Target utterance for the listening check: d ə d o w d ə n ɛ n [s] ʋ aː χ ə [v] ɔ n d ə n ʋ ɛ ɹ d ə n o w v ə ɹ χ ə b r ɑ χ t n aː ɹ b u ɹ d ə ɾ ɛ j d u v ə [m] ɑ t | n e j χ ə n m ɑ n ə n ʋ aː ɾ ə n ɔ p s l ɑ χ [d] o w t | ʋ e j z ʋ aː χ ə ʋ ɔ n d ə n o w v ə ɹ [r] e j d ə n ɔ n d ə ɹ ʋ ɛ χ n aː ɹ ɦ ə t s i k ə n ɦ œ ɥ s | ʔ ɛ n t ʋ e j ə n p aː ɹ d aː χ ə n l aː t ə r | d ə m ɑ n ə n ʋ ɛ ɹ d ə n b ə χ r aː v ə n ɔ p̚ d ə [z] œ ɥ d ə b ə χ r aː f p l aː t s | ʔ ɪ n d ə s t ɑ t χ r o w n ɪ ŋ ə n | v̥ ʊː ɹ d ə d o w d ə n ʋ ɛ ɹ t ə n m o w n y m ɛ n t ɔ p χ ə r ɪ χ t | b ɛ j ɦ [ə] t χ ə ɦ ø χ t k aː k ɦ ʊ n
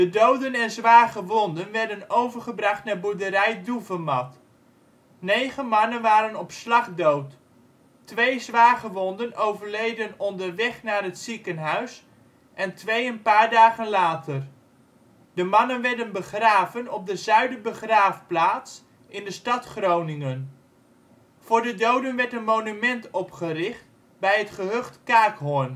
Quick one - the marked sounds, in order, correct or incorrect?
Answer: incorrect: z, incorrect: ʋ, correct, correct, incorrect: l, correct, correct

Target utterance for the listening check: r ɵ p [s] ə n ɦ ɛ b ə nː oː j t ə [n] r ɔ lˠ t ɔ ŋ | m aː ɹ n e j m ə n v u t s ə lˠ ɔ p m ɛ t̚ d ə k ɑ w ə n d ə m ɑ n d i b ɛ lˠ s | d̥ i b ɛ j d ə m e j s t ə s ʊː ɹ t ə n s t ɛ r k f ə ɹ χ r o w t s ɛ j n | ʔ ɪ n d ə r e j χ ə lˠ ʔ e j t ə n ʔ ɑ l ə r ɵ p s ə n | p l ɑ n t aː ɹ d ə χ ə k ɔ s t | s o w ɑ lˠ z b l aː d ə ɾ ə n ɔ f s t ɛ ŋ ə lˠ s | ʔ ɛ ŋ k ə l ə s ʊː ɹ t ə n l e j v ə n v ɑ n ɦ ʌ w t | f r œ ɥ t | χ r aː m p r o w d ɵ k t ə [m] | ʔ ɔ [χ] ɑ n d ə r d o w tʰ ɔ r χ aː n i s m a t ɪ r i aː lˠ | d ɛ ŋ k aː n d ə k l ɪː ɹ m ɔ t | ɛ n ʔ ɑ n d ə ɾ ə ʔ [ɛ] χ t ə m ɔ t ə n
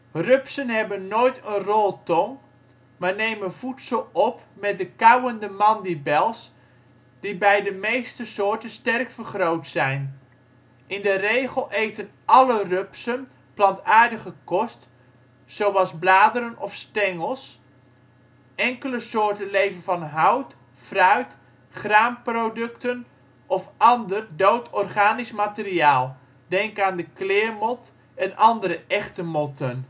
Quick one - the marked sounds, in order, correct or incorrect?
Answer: correct, correct, incorrect: n, incorrect: f, correct

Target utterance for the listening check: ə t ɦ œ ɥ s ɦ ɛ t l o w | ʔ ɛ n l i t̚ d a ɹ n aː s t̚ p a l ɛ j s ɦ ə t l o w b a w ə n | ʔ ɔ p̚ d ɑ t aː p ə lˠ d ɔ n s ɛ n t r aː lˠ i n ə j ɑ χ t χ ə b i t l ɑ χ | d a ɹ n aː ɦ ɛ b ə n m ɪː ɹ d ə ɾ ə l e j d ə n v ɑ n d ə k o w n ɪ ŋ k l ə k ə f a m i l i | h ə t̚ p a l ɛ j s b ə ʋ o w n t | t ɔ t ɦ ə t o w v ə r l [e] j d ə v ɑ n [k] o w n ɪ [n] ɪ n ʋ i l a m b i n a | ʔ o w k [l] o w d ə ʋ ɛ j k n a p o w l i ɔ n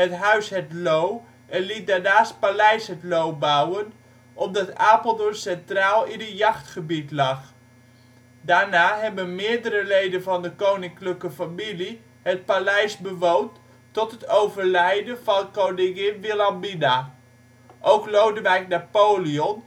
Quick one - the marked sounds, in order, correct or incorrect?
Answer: incorrect: ɛ, correct, incorrect: ŋ, correct

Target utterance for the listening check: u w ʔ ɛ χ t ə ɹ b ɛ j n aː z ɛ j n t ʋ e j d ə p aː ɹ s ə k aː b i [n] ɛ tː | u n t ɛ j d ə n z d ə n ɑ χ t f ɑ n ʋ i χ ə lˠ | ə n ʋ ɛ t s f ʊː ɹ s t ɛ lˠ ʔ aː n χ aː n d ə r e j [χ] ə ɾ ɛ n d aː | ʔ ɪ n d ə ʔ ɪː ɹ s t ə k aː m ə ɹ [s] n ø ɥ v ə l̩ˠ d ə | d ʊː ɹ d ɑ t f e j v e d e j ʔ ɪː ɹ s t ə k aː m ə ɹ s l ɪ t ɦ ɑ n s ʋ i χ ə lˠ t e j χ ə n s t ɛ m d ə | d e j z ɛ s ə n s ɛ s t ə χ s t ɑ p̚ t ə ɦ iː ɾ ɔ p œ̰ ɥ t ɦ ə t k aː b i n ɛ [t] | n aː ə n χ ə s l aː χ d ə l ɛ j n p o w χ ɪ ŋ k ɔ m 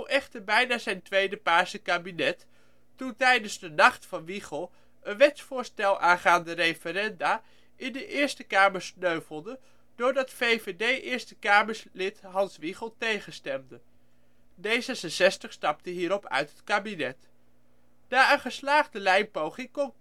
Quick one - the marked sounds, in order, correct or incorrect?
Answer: correct, incorrect: f, correct, correct

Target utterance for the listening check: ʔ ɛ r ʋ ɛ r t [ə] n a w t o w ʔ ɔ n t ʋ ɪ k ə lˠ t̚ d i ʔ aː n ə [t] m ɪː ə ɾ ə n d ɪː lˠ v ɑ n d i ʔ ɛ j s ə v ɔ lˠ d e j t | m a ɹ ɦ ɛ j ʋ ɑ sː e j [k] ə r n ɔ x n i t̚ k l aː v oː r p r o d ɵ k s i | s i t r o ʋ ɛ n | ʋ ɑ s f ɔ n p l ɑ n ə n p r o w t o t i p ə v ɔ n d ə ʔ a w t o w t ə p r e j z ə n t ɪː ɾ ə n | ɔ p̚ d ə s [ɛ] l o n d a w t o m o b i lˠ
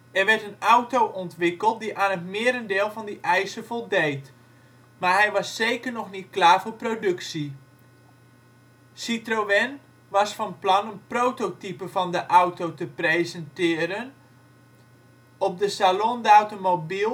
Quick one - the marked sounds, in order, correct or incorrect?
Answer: correct, correct, correct, incorrect: a

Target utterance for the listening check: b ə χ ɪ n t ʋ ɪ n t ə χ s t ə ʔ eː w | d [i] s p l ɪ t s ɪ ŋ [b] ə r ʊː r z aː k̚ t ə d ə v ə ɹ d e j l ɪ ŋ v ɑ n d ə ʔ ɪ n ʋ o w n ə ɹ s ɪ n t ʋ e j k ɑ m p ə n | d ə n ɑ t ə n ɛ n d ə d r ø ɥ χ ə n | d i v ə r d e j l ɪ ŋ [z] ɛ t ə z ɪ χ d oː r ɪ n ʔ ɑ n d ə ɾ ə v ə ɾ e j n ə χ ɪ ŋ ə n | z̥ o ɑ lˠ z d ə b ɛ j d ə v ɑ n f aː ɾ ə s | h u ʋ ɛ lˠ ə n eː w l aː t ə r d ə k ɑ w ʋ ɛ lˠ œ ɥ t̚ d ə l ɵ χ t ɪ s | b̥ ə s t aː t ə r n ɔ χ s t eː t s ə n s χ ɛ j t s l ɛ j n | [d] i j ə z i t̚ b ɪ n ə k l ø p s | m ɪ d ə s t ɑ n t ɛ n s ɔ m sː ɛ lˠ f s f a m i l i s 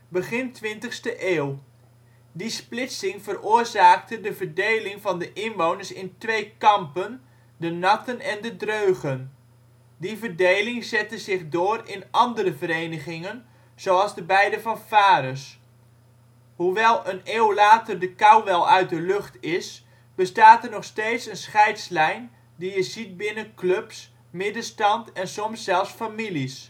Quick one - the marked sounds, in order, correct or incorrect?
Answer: correct, incorrect: v, correct, correct

